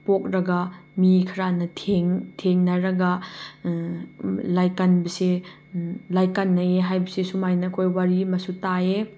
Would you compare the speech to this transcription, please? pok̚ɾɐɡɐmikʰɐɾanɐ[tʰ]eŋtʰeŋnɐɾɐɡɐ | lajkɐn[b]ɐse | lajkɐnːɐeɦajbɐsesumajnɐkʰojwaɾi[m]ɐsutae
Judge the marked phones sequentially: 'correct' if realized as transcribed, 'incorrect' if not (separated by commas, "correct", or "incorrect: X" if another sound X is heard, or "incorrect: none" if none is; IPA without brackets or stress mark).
correct, correct, correct